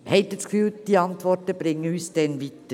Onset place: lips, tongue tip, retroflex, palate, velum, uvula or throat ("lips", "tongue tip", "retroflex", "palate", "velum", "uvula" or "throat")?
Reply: throat